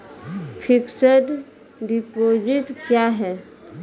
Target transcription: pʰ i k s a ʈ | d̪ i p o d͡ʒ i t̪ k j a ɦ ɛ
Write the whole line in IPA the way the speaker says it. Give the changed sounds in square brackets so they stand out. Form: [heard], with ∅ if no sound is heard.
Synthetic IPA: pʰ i k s [ə] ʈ | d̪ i p o d͡ʒ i t̪ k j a ɦ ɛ